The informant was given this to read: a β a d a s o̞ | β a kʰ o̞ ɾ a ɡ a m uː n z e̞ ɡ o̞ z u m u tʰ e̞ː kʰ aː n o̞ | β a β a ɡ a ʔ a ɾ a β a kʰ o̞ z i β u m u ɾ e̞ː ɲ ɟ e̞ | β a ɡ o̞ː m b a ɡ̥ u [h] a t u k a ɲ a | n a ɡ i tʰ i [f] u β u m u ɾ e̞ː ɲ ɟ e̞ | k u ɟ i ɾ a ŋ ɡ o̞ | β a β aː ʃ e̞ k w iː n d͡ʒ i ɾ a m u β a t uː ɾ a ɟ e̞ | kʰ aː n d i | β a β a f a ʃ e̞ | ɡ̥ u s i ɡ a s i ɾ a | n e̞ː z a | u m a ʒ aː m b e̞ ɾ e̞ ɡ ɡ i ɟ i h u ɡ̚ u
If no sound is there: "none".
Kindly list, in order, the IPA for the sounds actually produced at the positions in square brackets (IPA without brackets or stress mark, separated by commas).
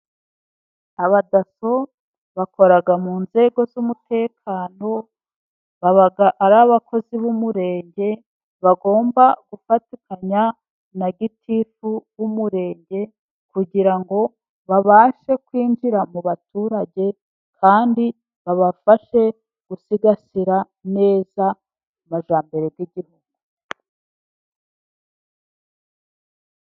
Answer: f, f